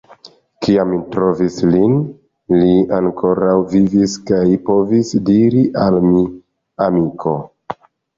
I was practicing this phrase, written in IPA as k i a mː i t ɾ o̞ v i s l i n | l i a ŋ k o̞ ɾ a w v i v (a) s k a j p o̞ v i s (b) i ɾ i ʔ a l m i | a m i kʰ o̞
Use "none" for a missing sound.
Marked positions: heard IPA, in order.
i, d

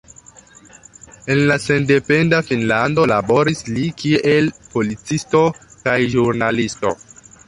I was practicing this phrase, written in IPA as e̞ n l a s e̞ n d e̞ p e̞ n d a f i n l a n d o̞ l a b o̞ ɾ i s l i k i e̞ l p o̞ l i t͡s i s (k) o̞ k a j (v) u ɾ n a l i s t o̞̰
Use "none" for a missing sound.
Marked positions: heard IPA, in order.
t, ʒ

